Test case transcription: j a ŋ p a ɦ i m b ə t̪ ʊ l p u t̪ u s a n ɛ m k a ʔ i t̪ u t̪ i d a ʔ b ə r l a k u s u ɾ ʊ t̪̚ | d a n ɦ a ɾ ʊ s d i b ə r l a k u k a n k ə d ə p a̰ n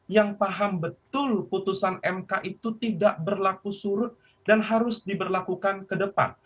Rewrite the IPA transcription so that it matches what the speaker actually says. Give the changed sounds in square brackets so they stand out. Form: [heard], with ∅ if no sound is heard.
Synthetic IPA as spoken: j a ŋ p a ɦ [a] m b ə t̪ ʊ l p u t̪ u s a n ɛ m k a ʔ i t̪ u t̪ i d a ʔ b ə r l a k u s u ɾ ʊ t̪̚ | d a n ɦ a ɾ ʊ s d i b ə r l a k u k a n k ə d ə p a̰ n